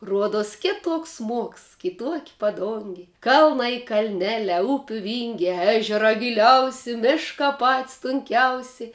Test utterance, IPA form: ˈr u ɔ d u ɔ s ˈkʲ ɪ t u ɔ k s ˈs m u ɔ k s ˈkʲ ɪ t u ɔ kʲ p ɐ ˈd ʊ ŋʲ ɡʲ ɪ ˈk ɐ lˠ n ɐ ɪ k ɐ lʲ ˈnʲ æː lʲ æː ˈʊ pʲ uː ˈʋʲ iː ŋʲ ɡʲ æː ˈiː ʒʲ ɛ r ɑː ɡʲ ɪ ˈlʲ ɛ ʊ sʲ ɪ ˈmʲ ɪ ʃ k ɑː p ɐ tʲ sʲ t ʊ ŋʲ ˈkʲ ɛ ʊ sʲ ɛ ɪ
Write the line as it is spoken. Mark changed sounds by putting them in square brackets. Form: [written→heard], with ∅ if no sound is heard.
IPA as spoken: ˈr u ɔ d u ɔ s ˈkʲ ɪ t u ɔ k s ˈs m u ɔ k s ˈkʲ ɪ t u ɔ kʲ p ɐ ˈd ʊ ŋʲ ɡʲ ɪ ˈk ɐ lˠ n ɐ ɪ k ɐ lʲ ˈnʲ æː lʲ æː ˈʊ pʲ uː ˈʋʲ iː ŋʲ ɡʲ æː [ˈiː→ˈæː] ʒʲ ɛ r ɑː ɡʲ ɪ ˈlʲ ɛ ʊ sʲ ɪ ˈmʲ ɪ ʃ k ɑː p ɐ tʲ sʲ t ʊ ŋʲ ˈkʲ ɛ ʊ sʲ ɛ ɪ